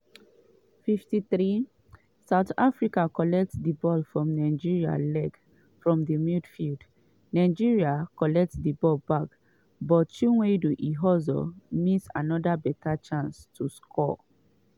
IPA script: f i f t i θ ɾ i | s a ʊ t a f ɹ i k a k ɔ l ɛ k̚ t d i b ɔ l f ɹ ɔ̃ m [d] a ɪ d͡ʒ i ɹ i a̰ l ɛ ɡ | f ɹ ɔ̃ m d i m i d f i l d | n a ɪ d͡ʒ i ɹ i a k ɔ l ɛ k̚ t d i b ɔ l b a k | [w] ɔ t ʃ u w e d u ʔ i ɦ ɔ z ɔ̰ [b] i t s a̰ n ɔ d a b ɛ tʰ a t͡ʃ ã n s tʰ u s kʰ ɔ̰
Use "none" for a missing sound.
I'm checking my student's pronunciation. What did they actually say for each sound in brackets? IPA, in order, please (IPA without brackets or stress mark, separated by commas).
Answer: n, b, m